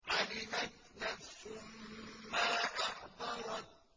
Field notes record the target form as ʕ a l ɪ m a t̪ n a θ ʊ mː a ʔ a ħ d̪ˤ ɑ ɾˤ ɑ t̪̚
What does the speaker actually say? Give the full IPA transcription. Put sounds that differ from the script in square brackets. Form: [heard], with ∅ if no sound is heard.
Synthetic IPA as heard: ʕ a l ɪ m a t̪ n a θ ʊ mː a ʔ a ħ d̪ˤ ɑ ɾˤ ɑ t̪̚